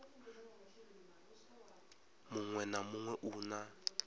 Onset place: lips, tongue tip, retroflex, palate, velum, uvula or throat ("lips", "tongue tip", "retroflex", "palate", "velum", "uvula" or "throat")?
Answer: lips